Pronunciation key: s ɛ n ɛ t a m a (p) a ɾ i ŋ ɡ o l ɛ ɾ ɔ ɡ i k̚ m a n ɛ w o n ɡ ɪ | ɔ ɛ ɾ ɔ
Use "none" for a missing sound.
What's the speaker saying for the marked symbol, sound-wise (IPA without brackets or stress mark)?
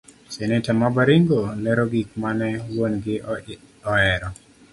b